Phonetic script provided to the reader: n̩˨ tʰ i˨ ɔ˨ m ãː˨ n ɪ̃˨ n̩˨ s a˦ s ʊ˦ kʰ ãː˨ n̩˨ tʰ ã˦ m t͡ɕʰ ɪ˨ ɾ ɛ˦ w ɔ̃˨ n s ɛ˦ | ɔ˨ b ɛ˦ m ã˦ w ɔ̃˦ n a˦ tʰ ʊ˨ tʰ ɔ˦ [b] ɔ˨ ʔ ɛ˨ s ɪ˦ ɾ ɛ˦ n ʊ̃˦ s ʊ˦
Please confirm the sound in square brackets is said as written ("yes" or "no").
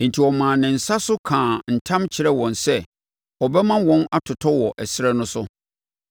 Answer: no